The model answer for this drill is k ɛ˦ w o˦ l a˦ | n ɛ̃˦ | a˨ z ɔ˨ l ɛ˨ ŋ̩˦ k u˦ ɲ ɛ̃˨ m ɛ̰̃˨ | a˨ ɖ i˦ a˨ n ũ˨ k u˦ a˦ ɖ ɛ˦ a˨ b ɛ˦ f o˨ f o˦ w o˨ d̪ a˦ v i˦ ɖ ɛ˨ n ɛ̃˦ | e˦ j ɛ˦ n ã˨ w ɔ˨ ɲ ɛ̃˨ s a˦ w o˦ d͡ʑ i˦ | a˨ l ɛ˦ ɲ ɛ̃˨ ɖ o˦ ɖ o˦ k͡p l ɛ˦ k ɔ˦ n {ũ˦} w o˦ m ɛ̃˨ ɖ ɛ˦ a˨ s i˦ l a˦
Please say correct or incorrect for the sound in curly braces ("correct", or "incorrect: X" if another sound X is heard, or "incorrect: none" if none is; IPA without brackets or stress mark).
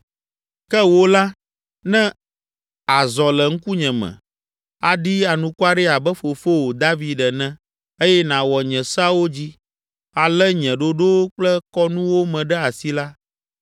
correct